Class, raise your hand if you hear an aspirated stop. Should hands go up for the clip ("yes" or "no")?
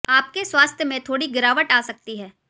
yes